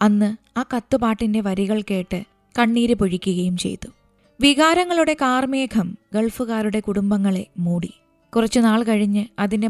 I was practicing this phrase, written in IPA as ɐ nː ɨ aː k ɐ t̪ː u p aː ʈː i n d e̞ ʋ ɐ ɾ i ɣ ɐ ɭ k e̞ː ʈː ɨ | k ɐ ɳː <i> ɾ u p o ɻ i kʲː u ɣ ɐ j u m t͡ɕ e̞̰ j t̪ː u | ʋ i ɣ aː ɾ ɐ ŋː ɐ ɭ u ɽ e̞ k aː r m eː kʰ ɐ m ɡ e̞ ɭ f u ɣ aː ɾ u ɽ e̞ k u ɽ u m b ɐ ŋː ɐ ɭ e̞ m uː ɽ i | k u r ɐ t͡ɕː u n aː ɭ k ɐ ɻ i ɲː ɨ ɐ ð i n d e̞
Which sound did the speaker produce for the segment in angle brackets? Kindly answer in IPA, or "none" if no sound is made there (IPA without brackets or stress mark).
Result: iː